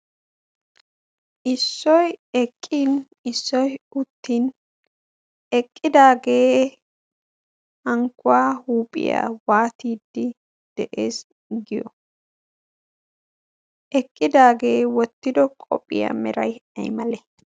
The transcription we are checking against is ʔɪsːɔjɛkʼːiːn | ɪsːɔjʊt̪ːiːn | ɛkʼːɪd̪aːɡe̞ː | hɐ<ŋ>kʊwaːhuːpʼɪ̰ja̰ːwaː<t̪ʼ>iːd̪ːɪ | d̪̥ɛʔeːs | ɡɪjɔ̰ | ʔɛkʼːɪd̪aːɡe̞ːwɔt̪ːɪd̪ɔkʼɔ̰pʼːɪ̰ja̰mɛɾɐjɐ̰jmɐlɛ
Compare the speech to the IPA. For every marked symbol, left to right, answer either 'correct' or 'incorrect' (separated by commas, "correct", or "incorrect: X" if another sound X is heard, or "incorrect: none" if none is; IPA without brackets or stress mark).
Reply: correct, incorrect: t̪